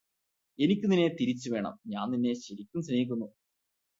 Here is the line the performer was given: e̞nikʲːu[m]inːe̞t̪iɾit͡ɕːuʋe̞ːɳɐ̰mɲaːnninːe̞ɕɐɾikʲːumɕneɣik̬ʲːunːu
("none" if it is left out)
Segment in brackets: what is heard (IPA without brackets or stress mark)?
n